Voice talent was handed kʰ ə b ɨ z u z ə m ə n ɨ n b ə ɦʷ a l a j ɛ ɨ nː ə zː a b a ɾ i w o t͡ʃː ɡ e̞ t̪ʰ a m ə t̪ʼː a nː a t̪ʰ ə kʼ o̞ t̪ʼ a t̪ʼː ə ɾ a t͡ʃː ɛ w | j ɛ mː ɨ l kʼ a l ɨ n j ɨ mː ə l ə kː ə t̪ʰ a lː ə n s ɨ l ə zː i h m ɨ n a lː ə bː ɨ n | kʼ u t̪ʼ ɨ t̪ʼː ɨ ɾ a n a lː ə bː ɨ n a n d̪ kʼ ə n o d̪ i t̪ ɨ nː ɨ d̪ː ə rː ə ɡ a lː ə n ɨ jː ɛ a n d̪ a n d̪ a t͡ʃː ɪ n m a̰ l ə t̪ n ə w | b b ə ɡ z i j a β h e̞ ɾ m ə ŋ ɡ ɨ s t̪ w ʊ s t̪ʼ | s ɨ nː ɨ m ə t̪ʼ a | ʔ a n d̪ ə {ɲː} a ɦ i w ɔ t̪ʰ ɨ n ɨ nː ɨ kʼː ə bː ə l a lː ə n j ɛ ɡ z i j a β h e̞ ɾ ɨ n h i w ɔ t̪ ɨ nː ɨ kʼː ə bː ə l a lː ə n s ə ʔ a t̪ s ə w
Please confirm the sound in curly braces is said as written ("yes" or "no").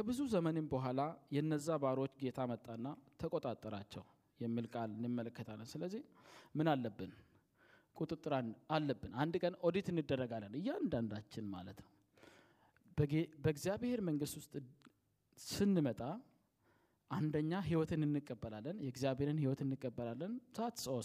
yes